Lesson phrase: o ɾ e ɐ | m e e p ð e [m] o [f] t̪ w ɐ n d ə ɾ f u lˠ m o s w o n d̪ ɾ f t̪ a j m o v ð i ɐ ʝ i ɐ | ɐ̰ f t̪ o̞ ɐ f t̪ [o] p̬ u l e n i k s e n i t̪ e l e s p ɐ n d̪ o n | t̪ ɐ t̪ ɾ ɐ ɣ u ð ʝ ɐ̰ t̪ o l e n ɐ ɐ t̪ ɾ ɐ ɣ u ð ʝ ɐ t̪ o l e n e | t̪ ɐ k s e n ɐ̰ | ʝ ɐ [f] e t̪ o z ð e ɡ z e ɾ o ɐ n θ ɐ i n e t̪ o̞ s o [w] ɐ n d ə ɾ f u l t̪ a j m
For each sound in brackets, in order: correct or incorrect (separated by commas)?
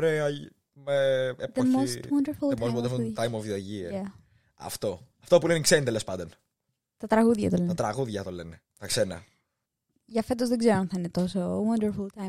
correct, incorrect, correct, correct, correct